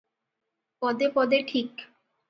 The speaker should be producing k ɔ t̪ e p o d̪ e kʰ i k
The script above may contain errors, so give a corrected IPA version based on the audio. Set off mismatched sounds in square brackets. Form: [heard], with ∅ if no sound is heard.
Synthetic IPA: [p] ɔ [d̪] e p [ɔ] d̪ e [ʈʰ] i k